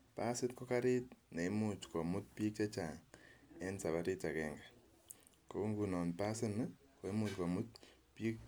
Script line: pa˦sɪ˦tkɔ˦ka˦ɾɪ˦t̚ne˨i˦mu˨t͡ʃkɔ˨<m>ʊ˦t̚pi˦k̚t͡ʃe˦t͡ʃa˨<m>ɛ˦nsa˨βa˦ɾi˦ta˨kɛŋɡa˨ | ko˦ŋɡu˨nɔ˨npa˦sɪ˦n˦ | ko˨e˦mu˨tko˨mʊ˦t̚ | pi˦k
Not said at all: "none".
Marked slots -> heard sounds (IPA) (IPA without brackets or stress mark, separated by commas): m, ŋ